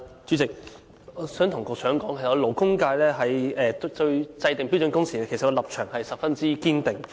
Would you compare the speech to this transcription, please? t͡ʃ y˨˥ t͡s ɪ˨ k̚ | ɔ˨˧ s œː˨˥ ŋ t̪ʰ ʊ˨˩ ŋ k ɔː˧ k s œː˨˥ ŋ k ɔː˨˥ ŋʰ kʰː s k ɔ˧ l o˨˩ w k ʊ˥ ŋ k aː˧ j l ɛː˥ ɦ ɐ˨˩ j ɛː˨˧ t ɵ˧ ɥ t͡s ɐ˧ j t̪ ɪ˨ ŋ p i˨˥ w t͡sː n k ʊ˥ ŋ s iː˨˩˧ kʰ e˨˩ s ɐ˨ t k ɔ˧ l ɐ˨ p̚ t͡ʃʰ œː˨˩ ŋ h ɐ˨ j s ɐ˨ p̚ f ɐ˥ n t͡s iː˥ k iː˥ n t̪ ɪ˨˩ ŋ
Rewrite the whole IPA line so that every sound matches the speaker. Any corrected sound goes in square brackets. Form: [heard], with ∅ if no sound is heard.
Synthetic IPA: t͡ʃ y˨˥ t͡s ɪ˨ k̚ | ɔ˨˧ s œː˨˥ ŋ t̪ʰ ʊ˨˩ ŋ k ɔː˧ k s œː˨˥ ŋ k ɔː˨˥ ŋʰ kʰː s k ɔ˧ l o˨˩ w k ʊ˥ ŋ k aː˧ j l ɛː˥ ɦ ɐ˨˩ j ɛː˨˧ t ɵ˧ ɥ t͡s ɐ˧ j t̪ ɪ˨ ŋ p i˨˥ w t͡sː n k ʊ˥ ŋ s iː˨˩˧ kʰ e˨˩ s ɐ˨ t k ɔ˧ l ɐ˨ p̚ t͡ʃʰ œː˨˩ ŋ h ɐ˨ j s ɐ˨ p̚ f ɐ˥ n t͡s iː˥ k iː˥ n t̪ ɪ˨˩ ŋ

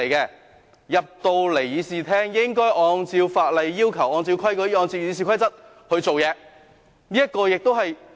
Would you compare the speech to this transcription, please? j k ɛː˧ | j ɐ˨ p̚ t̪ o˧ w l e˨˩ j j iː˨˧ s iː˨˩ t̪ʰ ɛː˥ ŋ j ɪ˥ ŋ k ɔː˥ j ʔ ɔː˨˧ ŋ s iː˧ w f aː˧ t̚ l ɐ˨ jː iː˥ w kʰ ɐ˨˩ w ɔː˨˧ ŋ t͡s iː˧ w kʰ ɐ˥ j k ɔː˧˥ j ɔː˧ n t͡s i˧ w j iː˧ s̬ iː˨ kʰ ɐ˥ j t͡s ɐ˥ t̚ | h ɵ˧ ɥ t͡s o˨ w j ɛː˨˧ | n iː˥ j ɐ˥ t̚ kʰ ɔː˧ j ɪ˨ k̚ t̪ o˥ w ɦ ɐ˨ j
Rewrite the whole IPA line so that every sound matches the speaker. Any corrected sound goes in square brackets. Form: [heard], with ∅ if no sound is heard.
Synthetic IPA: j k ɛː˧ | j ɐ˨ p̚ t̪ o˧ w l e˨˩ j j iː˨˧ s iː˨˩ t̪ʰ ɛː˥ ŋ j ɪ˥ ŋ k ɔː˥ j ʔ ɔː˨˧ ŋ [t͡s] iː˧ w f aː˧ t̚ l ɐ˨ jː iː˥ w kʰ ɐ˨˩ w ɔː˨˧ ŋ t͡s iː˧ w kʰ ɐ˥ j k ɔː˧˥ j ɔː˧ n t͡s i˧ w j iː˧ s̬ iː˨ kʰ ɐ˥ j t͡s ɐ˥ t̚ | h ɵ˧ ɥ t͡s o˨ w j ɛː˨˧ | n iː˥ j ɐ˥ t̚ [k] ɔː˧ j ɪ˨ k̚ t̪ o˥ w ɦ ɐ˨ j

